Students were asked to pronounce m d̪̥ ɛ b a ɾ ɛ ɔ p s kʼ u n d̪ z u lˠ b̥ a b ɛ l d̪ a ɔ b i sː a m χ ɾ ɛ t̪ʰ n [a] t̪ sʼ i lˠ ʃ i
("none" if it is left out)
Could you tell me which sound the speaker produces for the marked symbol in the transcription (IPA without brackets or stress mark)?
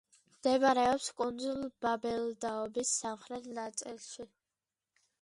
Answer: a